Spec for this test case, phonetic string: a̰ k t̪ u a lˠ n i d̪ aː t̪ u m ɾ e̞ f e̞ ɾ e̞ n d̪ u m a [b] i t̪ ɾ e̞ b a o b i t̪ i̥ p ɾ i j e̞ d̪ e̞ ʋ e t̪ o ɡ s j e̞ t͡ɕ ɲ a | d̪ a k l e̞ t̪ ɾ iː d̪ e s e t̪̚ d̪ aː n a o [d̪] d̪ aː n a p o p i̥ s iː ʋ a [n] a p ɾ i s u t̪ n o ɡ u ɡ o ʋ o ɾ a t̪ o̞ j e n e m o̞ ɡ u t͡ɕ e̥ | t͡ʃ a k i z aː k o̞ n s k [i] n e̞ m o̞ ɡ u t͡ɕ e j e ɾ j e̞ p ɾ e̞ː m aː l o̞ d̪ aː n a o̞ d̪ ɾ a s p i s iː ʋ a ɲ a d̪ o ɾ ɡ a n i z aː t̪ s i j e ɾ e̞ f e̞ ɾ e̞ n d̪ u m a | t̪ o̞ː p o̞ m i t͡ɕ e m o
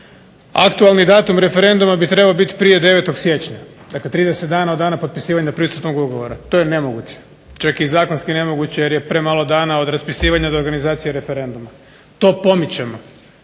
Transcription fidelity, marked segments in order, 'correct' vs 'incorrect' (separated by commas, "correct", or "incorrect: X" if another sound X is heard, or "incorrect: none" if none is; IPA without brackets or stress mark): correct, correct, incorrect: ɲ, correct